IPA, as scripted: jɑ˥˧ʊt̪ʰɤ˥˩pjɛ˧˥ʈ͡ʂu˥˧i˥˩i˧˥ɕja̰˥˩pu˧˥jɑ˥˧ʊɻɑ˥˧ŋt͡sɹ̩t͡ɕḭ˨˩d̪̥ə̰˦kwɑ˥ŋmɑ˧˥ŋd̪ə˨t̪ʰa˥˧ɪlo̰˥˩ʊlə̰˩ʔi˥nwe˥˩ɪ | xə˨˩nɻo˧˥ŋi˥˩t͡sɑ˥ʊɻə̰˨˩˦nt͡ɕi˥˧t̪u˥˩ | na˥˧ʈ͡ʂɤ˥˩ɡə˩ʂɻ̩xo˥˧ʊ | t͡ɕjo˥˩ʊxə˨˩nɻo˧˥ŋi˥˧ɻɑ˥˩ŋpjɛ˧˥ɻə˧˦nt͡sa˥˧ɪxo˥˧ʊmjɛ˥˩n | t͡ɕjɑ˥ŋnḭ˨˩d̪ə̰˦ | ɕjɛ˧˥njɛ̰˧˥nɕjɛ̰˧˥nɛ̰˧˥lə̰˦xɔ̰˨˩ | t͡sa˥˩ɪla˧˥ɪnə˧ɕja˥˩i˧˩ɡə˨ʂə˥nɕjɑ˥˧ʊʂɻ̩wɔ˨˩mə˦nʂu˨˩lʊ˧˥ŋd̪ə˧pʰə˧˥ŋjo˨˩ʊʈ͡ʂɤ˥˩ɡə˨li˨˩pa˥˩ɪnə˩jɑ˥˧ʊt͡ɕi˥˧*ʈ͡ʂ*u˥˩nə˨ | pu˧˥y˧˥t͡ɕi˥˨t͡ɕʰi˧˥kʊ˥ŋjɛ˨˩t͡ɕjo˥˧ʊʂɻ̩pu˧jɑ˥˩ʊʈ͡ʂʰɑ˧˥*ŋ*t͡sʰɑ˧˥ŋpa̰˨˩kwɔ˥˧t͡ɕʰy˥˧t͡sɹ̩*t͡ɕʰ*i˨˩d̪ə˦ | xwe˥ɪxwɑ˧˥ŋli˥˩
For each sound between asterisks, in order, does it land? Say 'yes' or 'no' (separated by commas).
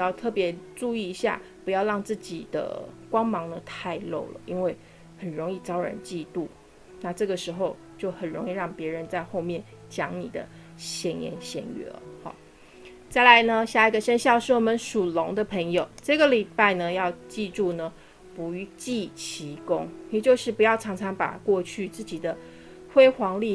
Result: yes, yes, no